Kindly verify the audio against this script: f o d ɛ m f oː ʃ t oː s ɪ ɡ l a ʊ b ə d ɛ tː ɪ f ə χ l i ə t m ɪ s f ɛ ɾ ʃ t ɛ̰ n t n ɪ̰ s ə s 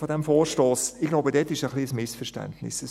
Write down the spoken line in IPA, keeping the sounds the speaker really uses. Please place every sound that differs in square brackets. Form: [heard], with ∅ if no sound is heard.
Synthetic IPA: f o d ɛ m f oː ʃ t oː s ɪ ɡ l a ʊ b ə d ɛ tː ɪ [ʃ] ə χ l i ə [s] m ɪ s f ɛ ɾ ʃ t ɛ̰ n t n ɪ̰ s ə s